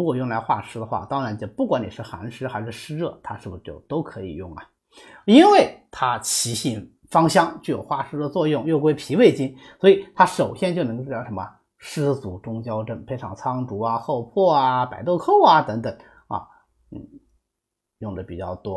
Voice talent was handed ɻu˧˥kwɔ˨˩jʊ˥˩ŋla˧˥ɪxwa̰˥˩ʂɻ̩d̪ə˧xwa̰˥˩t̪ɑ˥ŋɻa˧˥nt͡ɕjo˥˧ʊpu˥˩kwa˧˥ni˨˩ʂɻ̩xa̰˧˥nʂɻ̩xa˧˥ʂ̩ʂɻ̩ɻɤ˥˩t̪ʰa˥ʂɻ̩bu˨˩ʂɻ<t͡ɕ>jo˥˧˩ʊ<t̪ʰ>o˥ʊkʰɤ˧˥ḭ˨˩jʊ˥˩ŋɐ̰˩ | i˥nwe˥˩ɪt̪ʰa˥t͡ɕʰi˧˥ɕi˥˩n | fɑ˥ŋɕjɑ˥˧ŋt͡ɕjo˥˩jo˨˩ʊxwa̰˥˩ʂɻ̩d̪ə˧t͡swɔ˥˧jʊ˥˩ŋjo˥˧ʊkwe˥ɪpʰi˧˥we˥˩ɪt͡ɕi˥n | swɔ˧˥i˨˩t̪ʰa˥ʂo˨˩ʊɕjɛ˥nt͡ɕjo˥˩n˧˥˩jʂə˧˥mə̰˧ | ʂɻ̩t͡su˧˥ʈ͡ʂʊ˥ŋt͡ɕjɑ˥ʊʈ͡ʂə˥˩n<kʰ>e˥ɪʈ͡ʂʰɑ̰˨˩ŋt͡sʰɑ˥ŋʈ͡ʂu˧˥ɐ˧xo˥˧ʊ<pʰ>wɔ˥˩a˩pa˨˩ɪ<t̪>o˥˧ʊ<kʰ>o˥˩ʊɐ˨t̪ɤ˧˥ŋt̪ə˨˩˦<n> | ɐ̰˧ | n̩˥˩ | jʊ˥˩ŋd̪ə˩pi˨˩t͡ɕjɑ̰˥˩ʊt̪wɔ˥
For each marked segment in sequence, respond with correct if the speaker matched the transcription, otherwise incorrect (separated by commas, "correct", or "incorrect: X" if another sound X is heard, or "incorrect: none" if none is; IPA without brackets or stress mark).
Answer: correct, incorrect: t̪, incorrect: pʰ, correct, correct, correct, incorrect: ŋ